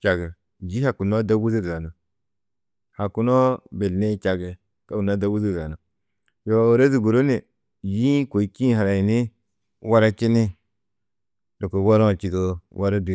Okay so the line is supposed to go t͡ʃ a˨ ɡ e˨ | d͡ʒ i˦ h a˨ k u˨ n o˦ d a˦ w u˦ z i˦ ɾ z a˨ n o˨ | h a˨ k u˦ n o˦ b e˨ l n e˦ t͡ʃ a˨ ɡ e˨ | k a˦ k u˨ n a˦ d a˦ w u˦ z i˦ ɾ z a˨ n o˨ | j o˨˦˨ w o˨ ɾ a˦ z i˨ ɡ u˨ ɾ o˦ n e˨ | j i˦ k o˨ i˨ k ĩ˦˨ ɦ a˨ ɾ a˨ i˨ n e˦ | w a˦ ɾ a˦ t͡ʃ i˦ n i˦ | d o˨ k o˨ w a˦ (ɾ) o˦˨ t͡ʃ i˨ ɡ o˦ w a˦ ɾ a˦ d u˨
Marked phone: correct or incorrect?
correct